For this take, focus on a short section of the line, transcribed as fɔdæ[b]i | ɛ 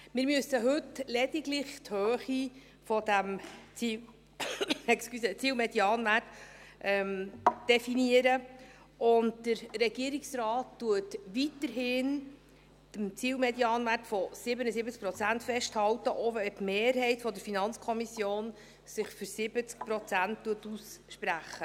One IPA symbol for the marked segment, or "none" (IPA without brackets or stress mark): m